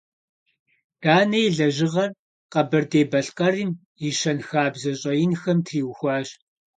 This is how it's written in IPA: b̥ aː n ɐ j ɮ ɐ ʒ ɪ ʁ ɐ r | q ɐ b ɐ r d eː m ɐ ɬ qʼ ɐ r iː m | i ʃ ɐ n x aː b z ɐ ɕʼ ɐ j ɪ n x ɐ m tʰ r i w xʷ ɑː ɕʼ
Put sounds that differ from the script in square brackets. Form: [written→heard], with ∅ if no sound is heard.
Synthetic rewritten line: [b̥→d̥] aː n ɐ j ɮ ɐ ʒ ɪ ʁ ɐ r | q ɐ b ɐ r d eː [m→b] ɐ ɬ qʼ ɐ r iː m | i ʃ ɐ n x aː b z ɐ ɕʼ ɐ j ɪ n x ɐ m tʰ r [i→iː] w xʷ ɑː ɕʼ